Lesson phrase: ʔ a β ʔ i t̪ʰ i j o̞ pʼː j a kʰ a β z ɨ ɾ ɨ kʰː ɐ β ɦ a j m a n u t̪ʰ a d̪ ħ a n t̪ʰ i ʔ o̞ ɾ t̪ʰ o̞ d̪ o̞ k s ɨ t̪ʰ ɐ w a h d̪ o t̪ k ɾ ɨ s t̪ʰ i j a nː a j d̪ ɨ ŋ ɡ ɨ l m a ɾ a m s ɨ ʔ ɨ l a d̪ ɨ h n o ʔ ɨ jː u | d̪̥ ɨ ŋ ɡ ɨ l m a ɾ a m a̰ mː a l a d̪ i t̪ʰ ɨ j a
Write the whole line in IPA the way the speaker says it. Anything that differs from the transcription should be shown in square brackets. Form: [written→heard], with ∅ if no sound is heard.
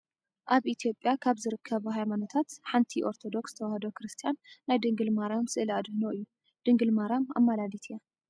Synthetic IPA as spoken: ʔ a β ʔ i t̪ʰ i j o̞ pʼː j a kʰ a β z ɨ ɾ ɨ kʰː ɐ β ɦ a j m a n [u→o] t̪ʰ a [d̪→t̪] ħ a n t̪ʰ i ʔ o̞ ɾ t̪ʰ o̞ d̪ o̞ k s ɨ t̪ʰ ɐ w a h d̪ o [t̪→∅] k ɾ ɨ s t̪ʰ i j a nː a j d̪ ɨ ŋ ɡ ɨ l m a ɾ a m s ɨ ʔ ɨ l a d̪ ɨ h n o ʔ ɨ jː u | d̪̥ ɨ ŋ ɡ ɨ l m a ɾ a m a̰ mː a l a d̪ i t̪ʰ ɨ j a